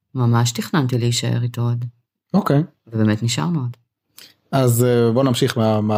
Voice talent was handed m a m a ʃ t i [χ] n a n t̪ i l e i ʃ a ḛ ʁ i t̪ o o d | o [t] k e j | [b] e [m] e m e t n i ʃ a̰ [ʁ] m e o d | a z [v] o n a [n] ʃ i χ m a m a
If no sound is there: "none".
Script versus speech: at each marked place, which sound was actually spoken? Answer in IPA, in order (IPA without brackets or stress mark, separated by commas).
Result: χ, none, v, b, ʁ, b, m